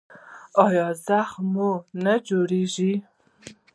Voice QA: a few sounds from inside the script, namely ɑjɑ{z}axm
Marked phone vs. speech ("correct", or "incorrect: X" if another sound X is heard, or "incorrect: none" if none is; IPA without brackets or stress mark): correct